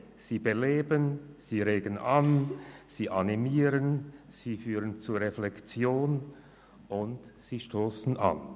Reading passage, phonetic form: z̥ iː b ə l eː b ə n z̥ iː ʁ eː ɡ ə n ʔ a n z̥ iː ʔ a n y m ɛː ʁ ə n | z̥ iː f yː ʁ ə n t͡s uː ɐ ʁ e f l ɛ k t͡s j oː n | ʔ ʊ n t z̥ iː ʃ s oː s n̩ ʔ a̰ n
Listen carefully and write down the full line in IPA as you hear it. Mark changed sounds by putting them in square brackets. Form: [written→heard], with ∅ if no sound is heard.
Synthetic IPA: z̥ iː b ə l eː b ə n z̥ iː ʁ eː ɡ ə n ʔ a n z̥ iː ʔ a n [y→i] m [ɛː→iː] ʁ ə n | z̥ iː f yː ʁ ə n t͡s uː ɐ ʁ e f l ɛ k t͡s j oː n | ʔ ʊ n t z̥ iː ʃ [s→t] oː s n̩ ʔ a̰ n

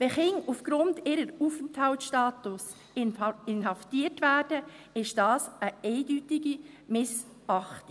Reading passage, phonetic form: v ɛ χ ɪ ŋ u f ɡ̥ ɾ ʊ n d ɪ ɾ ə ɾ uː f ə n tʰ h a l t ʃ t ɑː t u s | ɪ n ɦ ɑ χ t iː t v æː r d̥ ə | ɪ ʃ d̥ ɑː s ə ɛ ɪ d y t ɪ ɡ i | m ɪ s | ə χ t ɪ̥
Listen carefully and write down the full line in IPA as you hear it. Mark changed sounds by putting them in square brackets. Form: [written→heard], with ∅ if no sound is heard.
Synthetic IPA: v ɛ χ ɪ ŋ u f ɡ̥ ɾ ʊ n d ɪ ɾ ə ɾ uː f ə n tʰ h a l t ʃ t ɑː t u s | ɪ n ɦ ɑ [χ→f] t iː t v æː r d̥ ə | ɪ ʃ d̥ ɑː s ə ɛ ɪ d y t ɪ ɡ i | m ɪ s | [ə→ɑ] χ t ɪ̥

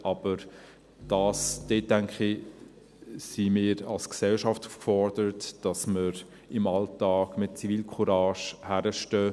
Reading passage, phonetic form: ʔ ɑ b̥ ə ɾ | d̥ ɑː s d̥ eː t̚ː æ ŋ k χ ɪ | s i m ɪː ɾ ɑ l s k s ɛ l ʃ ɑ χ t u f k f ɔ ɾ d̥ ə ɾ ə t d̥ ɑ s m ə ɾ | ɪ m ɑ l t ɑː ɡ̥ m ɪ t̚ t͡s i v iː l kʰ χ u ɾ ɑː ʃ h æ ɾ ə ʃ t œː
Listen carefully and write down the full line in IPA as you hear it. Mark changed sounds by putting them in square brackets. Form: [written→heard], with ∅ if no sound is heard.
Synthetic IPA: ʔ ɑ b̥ ə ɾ | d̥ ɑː s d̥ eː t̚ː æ ŋ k χ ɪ | s i m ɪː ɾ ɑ l s k s ɛ l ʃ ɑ [χ→f] t u f k f ɔ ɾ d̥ ə ɾ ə t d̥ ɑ s m ə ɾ | ɪ m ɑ l t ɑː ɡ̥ m ɪ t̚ t͡s i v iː l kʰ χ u ɾ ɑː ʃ h æ ɾ ə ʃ t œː

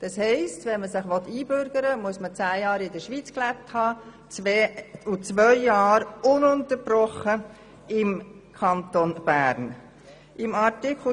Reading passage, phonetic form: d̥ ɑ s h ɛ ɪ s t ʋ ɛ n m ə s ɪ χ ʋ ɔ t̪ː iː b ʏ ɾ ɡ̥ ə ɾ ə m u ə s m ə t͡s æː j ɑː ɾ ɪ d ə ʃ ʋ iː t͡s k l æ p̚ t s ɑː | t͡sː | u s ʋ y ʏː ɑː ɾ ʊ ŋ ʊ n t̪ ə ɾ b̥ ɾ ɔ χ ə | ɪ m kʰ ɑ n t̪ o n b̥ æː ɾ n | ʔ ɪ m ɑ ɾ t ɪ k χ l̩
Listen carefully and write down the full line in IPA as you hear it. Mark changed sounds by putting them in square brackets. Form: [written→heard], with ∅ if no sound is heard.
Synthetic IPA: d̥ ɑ s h ɛ ɪ s t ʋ ɛ n m ə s ɪ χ ʋ ɔ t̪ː iː b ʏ ɾ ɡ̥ ə ɾ ə m u ə s m ə t͡s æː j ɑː ɾ ɪ d ə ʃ ʋ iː t͡s k l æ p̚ t [s→h] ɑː | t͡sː | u [s→t͡s] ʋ [y→œ] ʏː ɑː ɾ ʊ [ŋ→n] ʊ n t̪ ə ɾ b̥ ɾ ɔ χ ə | ɪ m kʰ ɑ n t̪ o n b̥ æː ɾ n | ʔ ɪ m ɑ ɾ t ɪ k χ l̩

